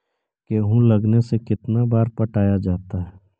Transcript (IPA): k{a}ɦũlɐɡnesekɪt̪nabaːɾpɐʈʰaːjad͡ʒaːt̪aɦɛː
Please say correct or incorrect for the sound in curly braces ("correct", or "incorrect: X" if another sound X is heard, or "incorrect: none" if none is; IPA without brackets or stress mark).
incorrect: e